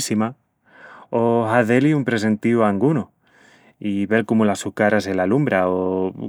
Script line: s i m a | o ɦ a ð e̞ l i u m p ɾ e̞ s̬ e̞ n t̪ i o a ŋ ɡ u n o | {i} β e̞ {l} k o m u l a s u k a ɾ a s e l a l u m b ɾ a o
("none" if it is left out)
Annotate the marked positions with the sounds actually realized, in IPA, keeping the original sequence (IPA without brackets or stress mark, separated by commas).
i, l